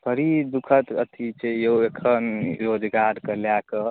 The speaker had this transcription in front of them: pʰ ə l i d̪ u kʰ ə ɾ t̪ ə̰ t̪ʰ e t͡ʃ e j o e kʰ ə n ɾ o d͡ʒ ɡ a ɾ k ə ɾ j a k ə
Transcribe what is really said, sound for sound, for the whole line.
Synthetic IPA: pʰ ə ɾ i d̪ u kʰ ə t̪ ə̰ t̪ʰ i t͡ʃ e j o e kʰ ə n ɾ o d͡ʒ ɡ a ɾ k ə l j a k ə